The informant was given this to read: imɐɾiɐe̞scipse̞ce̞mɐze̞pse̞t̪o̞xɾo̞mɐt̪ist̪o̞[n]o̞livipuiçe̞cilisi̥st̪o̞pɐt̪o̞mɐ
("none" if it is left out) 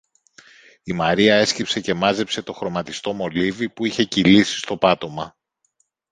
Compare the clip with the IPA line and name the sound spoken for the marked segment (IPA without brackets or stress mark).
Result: m